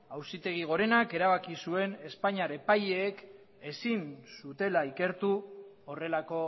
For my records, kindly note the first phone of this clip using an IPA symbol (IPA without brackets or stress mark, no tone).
a